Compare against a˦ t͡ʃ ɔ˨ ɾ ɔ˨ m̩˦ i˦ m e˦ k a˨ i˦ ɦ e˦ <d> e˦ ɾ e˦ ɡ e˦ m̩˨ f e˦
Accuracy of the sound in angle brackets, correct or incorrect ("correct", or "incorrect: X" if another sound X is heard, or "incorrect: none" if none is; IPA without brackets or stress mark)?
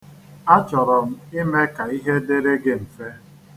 correct